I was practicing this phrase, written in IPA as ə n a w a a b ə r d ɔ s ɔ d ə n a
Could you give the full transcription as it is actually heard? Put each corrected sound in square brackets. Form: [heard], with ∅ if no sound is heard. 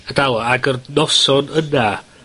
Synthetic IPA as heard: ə [d] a w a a [ɡ] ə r [n] ɔ s ɔ [n] ə n a

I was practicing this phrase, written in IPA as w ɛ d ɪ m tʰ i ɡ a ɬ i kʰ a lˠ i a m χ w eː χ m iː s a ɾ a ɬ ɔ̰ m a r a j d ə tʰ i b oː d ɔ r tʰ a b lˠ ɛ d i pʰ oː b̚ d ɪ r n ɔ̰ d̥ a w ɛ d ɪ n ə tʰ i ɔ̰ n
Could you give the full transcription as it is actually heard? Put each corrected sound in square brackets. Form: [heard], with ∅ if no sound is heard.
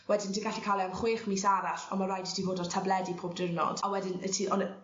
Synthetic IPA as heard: w ɛ d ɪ [n] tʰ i ɡ a ɬ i kʰ a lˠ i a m χ w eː χ m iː s a ɾ a ɬ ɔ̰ m a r a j d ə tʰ i [v] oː d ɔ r tʰ a b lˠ ɛ d i pʰ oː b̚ d ɪ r n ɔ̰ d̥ a w ɛ d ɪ n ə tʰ i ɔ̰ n

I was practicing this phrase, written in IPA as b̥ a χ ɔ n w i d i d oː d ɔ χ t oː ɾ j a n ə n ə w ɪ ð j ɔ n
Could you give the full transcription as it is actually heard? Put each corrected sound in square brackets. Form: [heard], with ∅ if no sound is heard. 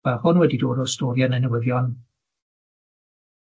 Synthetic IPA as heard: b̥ a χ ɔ n w [ɛ] d i d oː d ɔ [s] t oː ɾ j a n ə n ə w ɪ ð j ɔ n

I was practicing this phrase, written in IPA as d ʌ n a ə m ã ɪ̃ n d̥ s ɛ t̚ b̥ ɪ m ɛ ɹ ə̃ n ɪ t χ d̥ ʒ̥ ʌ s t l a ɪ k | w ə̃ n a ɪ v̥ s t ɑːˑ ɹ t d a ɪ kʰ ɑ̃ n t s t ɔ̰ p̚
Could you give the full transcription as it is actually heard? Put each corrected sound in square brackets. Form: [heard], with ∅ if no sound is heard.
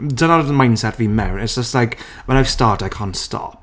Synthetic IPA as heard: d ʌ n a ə m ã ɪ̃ n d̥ s ɛ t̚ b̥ [i] m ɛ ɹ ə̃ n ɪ t [s] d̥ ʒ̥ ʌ s t l a ɪ k | w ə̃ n a ɪ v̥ s t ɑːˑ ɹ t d a ɪ kʰ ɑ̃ n t s t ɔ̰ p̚

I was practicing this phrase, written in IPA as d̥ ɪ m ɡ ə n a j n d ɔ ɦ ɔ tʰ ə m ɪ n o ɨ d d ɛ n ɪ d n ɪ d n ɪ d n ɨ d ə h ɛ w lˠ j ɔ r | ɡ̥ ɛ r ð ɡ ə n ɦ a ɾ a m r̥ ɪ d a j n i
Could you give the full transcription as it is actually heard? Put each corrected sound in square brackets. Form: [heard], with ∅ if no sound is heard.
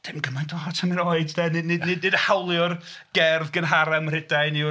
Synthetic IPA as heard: d̥ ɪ m ɡ ə [m] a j n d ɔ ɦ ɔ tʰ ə m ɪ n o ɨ d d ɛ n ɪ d n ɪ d n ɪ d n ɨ d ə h [a] w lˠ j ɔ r | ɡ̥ ɛ r ð ɡ ə n ɦ a ɾ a m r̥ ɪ d a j n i

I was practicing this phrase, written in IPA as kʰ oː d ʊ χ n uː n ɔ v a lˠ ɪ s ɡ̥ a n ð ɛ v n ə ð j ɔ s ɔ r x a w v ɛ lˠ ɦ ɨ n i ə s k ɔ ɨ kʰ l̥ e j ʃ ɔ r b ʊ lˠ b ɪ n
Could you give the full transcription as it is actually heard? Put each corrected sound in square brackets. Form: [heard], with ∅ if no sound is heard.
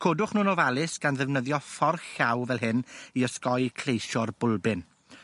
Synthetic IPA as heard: kʰ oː d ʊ χ n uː n ɔ v a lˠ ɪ s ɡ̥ a n ð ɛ v n ə ð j ɔ [f] ɔ r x a w v ɛ lˠ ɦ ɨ n i ə s k ɔ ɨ kʰ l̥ e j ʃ ɔ r b ʊ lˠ b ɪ n

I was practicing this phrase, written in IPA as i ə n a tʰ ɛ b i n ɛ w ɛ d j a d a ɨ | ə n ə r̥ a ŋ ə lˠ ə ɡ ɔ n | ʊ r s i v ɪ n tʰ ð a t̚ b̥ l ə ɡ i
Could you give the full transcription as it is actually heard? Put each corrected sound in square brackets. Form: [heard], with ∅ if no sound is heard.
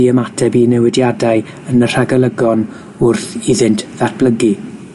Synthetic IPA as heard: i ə [m] a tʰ ɛ b i n ɛ w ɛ d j a d a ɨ | ə n ə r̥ a [ɡ] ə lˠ ə ɡ ɔ n | ʊ r [θ] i [ð] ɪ n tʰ ð a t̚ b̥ l ə ɡ i

